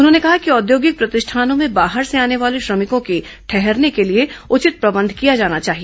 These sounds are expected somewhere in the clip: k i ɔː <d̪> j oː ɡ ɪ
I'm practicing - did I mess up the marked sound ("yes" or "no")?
no